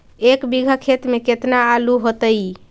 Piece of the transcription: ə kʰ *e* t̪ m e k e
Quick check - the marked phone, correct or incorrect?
correct